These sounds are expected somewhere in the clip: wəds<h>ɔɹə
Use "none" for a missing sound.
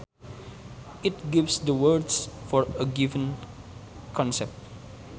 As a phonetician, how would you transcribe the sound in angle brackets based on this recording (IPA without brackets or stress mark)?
f